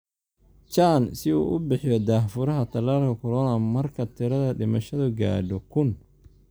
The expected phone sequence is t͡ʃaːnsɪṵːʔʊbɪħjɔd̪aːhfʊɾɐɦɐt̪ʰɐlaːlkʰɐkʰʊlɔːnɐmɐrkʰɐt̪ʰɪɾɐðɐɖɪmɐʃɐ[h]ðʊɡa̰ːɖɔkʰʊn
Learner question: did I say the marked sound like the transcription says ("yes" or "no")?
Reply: no